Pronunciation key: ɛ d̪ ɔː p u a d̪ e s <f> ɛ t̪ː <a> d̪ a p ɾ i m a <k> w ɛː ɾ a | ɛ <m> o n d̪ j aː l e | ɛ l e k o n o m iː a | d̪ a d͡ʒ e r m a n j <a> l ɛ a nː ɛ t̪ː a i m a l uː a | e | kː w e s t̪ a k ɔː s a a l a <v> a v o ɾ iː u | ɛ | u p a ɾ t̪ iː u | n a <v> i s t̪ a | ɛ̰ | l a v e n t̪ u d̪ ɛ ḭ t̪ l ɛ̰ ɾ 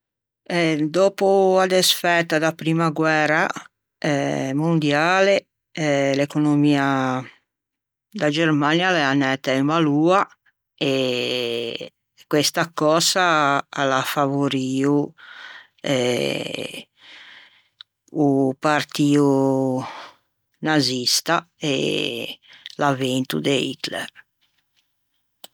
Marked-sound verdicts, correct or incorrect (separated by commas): correct, correct, incorrect, correct, correct, incorrect, incorrect